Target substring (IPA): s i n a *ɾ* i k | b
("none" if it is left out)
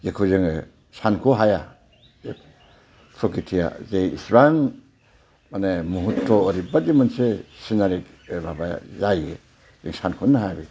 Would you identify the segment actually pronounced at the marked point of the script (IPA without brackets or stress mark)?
ɾ